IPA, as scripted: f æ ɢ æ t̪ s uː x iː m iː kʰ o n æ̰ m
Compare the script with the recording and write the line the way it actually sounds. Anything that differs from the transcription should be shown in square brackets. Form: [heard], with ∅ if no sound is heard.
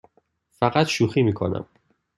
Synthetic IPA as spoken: f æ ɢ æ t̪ [ʃ] uː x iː m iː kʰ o n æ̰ m